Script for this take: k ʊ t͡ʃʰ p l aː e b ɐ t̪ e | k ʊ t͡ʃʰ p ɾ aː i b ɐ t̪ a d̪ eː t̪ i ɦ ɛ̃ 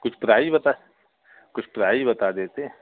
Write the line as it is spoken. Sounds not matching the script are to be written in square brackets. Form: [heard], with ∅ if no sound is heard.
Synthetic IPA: k ʊ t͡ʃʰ p [ɾ] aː [i] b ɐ t̪ [a] | k ʊ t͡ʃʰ p ɾ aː i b ɐ t̪ a d̪ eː t̪ [e] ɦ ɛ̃